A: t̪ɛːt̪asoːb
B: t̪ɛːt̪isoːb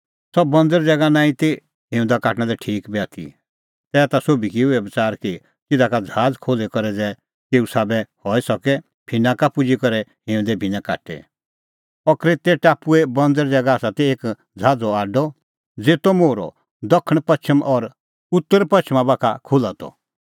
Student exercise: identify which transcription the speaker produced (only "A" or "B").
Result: A